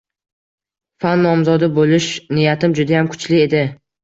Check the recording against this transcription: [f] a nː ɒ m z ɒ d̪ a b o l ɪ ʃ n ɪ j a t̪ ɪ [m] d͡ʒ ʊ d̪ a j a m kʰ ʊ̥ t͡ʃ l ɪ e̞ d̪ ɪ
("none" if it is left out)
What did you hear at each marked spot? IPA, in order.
f, m

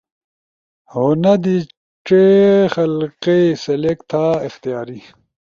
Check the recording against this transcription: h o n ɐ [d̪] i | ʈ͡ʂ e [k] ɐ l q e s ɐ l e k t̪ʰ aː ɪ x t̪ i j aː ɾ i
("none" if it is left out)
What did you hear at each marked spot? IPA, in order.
d̪, x

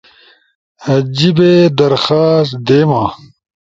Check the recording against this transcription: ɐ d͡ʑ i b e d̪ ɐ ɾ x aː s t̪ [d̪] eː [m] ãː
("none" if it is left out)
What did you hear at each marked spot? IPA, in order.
d̪, m

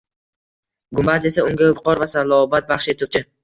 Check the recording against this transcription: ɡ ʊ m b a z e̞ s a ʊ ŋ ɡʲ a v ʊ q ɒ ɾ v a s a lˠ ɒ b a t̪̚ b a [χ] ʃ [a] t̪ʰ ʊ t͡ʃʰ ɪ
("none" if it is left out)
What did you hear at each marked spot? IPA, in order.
χ, e

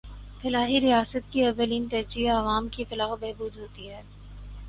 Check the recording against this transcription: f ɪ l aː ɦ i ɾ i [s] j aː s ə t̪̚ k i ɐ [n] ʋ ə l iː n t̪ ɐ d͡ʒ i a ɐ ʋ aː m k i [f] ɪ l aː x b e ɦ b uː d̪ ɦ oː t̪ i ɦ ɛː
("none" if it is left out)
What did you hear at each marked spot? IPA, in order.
none, none, f

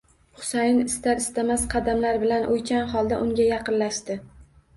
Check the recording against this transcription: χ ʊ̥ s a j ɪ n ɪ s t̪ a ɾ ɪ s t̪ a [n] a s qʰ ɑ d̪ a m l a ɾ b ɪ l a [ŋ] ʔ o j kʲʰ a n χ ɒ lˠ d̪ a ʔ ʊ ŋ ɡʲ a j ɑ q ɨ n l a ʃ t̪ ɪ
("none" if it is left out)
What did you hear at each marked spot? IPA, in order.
m, n

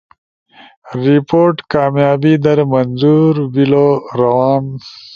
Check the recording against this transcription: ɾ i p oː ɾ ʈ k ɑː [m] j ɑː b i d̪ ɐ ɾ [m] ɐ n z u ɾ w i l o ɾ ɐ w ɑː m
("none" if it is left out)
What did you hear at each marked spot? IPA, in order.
m, m

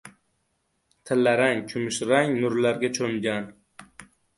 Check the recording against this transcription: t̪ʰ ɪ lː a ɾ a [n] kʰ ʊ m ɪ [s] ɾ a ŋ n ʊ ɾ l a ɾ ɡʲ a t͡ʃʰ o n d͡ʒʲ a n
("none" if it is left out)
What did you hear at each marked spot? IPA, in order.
ŋ, ʃ

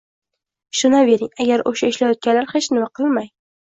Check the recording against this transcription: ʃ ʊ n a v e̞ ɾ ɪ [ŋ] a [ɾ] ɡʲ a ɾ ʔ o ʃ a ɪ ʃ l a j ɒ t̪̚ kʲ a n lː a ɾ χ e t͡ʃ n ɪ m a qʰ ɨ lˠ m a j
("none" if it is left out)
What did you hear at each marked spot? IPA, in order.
ŋ, none

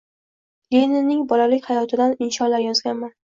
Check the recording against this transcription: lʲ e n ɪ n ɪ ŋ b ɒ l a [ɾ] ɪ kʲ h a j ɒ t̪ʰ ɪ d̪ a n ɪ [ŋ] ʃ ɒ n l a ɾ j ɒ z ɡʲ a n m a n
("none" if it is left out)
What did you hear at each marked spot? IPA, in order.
l, n

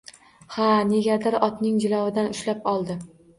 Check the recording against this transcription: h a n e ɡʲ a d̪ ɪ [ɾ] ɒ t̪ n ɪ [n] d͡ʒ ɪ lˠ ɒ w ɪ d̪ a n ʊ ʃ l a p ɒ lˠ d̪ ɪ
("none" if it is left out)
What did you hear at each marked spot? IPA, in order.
ɾ, ŋ

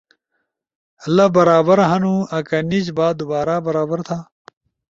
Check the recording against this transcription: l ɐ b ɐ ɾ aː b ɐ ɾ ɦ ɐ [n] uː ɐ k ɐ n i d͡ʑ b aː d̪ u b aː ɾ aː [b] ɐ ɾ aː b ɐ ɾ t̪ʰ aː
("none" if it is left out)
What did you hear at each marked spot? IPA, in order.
n, b

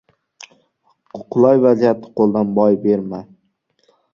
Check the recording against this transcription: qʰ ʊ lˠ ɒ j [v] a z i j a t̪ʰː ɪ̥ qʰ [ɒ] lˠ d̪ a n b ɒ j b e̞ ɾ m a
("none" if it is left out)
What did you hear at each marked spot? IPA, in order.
v, o

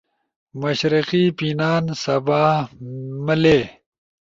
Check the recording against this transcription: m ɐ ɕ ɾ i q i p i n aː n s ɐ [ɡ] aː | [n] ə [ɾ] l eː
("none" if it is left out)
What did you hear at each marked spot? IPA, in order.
b, m, none

